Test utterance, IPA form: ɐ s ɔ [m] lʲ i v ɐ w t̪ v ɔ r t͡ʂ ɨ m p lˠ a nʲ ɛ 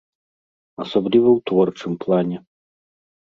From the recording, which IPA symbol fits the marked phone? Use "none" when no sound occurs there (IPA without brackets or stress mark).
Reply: b